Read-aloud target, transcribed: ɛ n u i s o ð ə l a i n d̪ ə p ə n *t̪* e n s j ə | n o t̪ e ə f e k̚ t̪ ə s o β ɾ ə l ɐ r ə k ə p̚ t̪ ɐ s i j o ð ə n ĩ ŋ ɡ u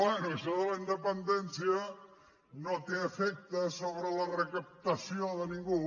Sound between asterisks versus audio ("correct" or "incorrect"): incorrect